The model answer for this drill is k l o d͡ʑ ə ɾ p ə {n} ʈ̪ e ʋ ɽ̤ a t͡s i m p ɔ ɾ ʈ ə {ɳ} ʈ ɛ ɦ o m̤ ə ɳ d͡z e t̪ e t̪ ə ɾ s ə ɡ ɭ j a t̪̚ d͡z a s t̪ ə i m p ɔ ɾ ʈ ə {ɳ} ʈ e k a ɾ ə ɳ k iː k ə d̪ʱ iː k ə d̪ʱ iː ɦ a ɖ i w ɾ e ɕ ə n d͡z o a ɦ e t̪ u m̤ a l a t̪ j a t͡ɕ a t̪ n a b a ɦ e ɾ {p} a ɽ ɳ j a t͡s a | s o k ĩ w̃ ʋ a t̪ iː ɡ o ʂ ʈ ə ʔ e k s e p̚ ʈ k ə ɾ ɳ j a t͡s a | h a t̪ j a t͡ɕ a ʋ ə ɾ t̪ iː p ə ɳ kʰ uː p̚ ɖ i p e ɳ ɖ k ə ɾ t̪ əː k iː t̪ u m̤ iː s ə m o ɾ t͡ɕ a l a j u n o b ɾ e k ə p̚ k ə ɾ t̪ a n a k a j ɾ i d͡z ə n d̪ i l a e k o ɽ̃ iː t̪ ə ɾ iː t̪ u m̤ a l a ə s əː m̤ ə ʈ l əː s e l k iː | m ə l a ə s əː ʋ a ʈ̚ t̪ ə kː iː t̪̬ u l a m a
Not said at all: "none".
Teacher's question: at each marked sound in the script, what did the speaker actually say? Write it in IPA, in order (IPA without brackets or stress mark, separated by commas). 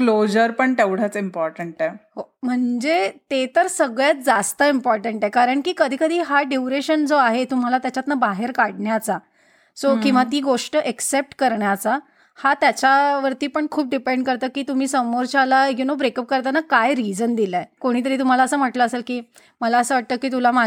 ɳ, ɳ, ɳ, k